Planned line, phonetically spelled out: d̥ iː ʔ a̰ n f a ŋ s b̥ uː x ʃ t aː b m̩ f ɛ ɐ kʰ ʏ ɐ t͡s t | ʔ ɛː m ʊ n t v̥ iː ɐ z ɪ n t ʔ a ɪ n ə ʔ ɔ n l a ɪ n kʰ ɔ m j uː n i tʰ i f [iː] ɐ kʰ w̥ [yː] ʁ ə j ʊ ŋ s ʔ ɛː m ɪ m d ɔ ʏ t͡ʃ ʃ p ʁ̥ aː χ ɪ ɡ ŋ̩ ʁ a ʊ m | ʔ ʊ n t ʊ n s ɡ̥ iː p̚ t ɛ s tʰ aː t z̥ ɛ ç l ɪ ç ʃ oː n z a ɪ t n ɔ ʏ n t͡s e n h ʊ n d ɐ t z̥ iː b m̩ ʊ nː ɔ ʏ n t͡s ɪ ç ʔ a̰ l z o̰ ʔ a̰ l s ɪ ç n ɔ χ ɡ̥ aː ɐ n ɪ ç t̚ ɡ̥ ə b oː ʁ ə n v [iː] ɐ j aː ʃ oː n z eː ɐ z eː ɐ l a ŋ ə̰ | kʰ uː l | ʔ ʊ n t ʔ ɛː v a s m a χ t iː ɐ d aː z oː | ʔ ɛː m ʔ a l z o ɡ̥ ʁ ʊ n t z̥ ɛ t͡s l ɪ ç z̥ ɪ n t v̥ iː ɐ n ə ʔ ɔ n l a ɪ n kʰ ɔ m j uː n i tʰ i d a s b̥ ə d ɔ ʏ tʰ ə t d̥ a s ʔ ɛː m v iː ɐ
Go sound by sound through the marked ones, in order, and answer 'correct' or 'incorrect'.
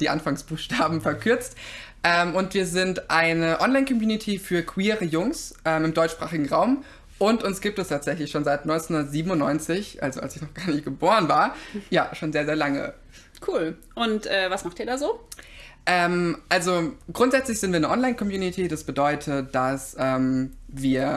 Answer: incorrect, incorrect, incorrect

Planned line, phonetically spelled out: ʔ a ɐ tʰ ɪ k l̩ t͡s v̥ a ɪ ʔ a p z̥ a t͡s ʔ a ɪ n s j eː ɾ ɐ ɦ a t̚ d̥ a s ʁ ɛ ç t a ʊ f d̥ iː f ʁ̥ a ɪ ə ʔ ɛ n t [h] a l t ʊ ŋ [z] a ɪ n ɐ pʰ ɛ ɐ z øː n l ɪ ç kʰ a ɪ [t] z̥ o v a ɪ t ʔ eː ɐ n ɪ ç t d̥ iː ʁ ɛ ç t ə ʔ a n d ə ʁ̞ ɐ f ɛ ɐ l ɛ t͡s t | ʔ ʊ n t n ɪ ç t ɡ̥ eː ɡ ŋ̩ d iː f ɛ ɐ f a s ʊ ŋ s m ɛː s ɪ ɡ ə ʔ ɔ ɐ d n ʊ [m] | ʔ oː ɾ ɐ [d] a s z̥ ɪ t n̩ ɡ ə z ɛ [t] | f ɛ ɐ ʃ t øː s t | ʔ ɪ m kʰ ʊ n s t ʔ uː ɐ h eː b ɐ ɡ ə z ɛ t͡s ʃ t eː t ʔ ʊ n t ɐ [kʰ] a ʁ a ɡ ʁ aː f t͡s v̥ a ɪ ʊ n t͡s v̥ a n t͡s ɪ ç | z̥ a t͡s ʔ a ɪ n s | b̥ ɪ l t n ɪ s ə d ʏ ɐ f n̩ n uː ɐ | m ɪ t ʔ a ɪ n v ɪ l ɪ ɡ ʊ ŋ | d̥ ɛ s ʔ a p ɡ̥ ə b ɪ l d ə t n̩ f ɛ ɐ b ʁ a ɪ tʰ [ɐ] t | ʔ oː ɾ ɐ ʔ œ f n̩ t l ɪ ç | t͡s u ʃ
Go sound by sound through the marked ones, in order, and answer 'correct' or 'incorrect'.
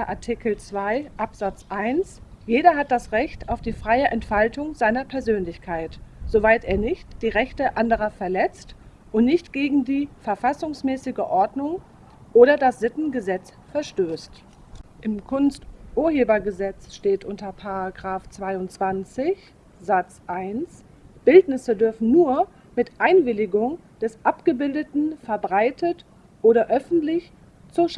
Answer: incorrect, correct, correct, incorrect, correct, incorrect, incorrect, incorrect

